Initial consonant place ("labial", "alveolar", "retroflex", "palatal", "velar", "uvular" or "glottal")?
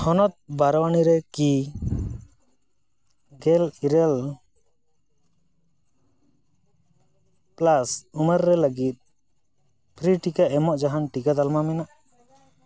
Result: glottal